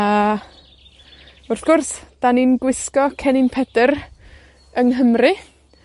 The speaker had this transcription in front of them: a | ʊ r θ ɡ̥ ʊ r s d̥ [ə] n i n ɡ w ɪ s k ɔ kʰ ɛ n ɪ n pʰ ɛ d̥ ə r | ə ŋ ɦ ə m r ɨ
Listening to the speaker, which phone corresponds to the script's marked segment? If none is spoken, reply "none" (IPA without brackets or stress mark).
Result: a